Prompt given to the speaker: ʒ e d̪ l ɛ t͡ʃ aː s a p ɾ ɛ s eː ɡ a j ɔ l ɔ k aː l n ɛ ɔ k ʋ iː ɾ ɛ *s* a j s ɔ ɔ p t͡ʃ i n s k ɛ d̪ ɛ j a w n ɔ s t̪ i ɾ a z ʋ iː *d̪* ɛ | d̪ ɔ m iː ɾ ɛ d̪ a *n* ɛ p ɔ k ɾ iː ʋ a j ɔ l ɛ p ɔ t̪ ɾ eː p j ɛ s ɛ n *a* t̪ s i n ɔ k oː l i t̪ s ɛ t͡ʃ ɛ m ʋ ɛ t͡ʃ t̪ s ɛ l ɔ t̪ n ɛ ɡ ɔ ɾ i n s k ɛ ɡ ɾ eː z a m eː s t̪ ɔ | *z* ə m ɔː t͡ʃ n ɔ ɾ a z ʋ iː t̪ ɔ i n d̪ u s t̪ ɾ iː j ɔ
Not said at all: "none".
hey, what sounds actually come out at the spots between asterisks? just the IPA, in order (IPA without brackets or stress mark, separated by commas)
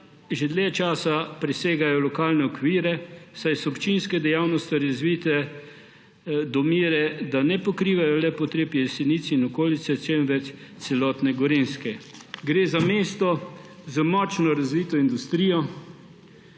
s, t̪, n, i, z